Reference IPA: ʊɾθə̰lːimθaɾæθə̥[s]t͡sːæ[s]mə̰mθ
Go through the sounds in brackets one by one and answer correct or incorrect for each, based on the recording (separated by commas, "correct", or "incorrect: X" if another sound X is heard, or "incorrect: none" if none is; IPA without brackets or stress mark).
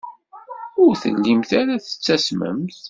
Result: incorrect: none, correct